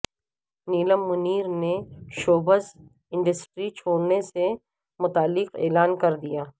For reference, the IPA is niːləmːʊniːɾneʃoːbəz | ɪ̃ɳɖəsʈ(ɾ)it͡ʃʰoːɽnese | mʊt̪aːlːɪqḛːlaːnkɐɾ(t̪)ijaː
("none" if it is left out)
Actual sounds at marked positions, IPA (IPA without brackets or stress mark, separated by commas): ɾ, d̪